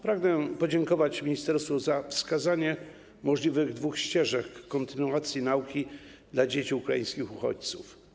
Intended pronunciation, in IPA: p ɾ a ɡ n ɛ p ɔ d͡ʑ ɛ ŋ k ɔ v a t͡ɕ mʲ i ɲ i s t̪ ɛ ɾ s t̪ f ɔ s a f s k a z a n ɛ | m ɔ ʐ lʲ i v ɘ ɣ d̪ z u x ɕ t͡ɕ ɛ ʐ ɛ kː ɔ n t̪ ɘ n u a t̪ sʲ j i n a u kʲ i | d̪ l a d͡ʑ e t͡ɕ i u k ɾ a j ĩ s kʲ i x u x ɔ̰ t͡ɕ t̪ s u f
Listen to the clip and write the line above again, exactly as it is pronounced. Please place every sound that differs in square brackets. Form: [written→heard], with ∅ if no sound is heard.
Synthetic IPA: p ɾ a ɡ n ɛ p ɔ d͡ʑ ɛ ŋ k ɔ v a t͡ɕ mʲ i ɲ i s t̪ ɛ ɾ s t̪ f ɔ [s→z] a f s k a z a [n→ɲ] ɛ | m ɔ ʐ lʲ i v ɘ ɣ d̪ [z→v] u x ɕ t͡ɕ ɛ ʐ ɛ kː ɔ n t̪ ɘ n u a t̪ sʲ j i n a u kʲ i | d̪ l a d͡ʑ e t͡ɕ i u k ɾ a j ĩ s kʲ i x u x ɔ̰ t͡ɕ t̪ s u f